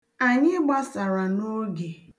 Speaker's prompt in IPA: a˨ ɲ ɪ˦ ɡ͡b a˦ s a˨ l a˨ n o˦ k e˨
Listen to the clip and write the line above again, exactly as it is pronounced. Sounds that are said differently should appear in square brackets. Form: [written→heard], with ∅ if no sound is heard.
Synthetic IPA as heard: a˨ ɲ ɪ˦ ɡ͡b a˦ s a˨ [l→ɾ] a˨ n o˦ [k→ɡ] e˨